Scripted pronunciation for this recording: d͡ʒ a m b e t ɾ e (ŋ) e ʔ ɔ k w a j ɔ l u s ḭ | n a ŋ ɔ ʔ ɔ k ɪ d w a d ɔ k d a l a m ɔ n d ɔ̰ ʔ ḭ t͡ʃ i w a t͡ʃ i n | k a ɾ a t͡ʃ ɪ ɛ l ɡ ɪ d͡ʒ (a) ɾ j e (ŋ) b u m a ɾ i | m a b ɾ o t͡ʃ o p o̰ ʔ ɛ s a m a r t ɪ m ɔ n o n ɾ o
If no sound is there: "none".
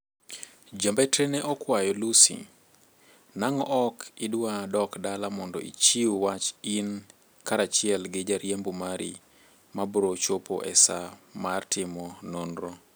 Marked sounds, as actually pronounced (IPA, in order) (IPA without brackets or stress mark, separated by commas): n, a, m